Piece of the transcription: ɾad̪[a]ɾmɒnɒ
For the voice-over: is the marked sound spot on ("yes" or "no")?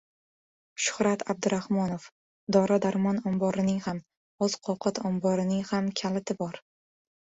yes